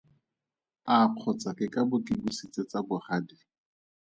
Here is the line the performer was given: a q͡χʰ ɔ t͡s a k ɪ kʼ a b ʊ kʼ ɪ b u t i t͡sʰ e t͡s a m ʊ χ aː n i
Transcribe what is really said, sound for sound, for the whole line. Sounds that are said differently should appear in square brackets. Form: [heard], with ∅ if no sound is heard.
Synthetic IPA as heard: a q͡χʰ ɔ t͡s a k ɪ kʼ a b ʊ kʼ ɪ b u [s] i [t͡s] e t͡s a [b] ʊ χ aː [d] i